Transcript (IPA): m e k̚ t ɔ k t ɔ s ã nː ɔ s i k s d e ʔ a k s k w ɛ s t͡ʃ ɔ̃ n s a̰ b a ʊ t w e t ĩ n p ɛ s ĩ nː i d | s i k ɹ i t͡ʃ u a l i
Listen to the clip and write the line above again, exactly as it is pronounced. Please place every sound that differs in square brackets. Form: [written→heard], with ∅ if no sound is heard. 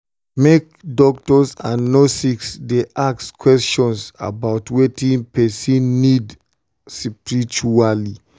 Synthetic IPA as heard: m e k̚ [t→d] ɔ k t ɔ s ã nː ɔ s i k s d e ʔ a k s k w ɛ s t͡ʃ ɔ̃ n s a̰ b a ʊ t w e t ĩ n p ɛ s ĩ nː i d | s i [k→p] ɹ i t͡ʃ u a l i